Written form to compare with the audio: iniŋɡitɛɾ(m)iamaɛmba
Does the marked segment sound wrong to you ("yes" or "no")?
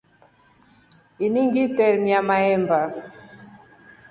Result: no